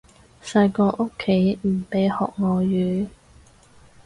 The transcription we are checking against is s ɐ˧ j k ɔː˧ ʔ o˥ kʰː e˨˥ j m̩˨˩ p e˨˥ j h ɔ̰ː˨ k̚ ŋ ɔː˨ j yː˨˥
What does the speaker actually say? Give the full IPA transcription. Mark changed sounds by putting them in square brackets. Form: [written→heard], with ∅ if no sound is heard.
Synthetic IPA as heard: s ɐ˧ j k ɔː˧ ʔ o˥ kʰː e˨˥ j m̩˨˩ p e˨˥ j h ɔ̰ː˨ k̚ ŋ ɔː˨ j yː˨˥